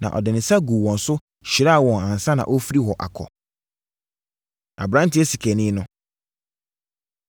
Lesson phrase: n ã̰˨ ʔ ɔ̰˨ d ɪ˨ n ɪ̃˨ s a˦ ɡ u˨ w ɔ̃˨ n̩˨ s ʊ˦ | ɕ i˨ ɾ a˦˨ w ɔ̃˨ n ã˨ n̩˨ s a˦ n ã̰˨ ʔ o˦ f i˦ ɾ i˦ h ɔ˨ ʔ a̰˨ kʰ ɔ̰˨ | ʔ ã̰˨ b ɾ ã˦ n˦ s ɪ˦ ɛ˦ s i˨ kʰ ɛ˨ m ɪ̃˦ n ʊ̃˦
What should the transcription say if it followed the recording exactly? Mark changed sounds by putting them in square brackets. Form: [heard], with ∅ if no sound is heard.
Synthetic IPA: n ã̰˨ ʔ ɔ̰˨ d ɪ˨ n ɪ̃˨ s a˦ ɡ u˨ w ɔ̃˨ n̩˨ s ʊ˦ | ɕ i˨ ɾ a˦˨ w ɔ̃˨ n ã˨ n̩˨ s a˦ n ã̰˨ ʔ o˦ f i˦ ɾ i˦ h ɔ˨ ʔ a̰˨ kʰ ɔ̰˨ | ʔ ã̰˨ b ɾ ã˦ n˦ [t] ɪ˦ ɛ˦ s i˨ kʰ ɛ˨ [n] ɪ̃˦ n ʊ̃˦